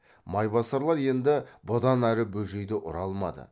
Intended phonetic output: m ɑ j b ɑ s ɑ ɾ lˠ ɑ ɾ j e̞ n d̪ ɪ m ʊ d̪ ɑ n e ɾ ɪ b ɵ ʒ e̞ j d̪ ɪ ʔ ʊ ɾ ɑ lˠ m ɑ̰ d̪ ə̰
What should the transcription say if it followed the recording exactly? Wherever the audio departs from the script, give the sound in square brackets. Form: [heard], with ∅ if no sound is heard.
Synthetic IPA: m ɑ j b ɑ s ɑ ɾ lˠ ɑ ɾ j e̞ n d̪ ɪ [b] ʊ d̪ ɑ n [æ] ɾ ɪ b ɵ ʒ e̞ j d̪ ɪ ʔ ʊ ɾ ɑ lˠ m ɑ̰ d̪ ə̰